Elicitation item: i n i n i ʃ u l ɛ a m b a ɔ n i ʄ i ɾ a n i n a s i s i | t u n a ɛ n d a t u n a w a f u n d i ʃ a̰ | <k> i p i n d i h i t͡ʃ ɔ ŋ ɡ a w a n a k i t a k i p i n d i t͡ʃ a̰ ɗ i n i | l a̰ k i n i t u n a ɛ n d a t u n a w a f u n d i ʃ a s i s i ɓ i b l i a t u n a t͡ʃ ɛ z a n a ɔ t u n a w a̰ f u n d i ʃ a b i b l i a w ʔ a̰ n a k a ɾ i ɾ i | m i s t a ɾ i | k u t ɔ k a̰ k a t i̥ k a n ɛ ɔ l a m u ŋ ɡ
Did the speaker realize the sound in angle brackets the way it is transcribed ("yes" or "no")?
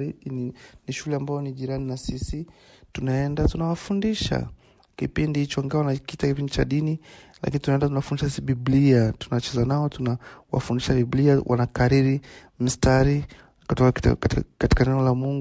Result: yes